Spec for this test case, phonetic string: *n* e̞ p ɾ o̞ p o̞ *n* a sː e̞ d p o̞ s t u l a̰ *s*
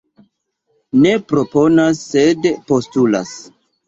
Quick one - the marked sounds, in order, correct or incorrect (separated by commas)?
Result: correct, correct, correct